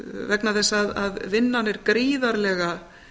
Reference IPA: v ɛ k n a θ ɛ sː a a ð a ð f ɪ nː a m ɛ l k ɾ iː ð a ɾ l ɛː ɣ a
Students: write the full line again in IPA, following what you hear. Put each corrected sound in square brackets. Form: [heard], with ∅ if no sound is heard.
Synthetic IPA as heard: v ɛ k n a θ ɛ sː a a ð a ð [v] ɪ nː a [n] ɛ [ɾ] k ɾ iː ð a ɾ l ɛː ɣ a